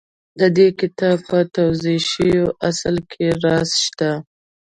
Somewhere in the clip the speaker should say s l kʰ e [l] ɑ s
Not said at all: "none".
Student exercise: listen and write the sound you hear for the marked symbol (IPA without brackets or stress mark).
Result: ɾ